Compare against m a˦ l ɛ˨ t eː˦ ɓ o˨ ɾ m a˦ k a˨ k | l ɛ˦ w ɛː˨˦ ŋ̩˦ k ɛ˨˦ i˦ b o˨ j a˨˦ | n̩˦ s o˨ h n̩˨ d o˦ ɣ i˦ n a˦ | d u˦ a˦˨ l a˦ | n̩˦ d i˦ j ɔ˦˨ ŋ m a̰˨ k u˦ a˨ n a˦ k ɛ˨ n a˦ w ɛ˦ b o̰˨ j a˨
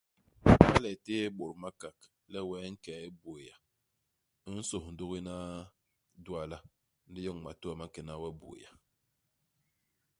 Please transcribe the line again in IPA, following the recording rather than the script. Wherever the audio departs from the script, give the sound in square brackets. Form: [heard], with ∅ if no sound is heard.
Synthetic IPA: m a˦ l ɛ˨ t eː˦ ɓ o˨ ɾ m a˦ k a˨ k | l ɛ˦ w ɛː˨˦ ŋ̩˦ k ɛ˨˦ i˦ b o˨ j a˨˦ | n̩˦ s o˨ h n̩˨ d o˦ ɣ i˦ n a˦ | d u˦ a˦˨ l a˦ | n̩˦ d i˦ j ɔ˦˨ ŋ m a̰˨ [t] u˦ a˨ [m] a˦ k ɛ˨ n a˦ w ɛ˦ b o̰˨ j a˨